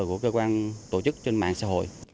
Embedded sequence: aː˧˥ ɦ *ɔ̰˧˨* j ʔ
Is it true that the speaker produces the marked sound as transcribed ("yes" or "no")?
no